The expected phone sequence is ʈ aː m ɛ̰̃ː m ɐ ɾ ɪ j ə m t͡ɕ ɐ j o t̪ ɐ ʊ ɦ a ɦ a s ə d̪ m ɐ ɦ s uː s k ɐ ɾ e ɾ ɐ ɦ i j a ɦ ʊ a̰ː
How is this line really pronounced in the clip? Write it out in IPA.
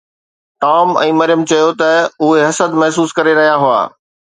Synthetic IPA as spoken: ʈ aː m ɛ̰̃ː m ɐ ɾ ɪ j ə m t͡ɕ ɐ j o t̪ ɐ ʊ ɦ e ɦ ɐ s ə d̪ m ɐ ɦ s uː s k ɐ ɾ e ɾ ɐ ɦ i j a ɦ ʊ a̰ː